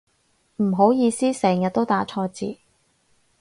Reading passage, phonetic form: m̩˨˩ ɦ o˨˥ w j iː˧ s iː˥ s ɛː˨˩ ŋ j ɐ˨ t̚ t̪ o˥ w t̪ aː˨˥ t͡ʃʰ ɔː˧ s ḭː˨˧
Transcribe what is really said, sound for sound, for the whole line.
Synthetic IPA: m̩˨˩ ɦ o˨˥ w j iː˧ s iː˥ s ɛː˨˩ ŋ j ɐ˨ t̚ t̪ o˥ w t̪ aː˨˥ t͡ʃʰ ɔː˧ t͡s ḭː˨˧